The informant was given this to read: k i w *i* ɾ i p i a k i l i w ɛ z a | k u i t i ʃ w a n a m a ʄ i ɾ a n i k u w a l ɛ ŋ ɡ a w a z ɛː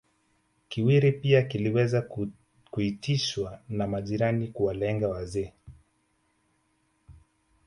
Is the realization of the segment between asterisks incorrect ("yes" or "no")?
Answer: no